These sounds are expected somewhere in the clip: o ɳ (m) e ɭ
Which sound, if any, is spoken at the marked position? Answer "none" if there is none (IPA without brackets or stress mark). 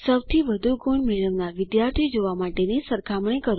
m